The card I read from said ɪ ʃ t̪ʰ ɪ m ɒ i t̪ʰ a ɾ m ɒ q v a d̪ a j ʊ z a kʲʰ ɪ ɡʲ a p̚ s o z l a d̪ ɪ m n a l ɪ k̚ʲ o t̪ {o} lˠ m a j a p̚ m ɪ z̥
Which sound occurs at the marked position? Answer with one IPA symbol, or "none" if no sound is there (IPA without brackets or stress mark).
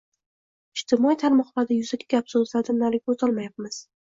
ɒ